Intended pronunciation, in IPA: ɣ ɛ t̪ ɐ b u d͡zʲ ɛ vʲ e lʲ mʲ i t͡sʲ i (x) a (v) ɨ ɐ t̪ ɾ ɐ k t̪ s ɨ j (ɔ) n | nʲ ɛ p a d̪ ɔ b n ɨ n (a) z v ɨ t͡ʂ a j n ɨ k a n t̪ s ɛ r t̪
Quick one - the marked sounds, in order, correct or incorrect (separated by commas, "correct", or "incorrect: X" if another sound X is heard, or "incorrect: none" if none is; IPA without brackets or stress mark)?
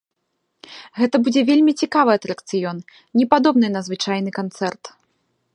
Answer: incorrect: k, correct, correct, incorrect: ɐ